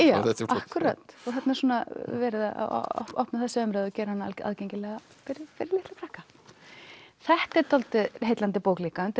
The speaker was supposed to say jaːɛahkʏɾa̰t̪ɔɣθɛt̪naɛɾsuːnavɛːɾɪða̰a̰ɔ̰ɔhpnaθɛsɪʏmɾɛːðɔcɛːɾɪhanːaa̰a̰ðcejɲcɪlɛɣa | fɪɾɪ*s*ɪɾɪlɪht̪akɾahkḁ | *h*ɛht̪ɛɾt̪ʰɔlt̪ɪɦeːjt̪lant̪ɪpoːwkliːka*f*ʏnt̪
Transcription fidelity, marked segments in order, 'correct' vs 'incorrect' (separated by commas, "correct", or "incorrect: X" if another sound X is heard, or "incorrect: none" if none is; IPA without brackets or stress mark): incorrect: f, incorrect: θ, incorrect: none